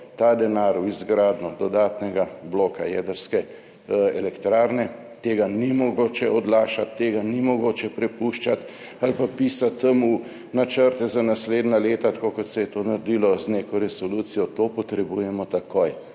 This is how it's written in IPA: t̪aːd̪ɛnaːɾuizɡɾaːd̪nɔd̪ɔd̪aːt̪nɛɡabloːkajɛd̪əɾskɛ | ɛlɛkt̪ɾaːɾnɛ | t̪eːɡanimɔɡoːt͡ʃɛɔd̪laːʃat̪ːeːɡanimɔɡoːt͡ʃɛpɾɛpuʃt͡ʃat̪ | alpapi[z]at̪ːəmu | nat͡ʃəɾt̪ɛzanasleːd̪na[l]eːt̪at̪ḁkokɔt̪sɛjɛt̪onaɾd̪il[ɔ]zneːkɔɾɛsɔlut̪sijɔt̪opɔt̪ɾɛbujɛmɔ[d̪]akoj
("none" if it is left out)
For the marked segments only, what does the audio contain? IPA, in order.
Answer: s, l, ɔ, t̪

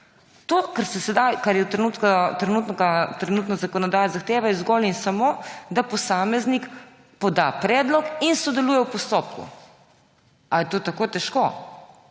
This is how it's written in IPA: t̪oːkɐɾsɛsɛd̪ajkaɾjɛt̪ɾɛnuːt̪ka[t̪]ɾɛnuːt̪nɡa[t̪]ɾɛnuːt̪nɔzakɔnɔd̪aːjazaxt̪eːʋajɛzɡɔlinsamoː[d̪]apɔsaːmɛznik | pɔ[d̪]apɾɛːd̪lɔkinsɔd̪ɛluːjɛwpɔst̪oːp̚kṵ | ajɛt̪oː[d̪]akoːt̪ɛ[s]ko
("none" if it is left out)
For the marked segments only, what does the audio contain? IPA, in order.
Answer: t̪, t̪, d̪, d̪, t̪, ʃ

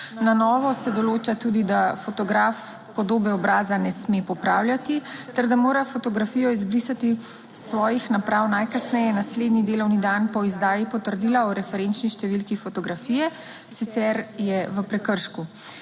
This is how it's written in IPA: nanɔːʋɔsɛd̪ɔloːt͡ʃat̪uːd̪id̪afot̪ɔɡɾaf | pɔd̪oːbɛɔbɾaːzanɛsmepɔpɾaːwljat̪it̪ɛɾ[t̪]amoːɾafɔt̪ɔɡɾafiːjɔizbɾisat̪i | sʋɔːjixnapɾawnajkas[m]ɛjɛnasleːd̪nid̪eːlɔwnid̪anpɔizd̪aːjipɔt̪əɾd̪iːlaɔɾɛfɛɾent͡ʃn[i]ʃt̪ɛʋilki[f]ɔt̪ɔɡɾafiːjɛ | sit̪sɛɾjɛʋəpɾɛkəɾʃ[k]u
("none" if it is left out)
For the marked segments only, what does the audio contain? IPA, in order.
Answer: d̪, n, i, f, k

